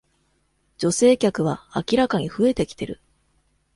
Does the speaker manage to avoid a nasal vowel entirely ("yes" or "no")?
yes